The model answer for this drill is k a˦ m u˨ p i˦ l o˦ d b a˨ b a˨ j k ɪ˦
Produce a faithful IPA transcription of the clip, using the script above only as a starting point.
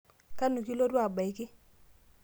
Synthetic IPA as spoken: k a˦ n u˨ k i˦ l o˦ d w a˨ b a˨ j k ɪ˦